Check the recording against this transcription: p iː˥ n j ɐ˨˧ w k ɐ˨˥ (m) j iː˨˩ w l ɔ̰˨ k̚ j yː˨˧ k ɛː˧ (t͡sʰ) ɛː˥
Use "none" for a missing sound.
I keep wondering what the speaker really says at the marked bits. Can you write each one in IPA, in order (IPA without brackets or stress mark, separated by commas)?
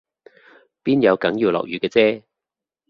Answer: ŋ, t͡s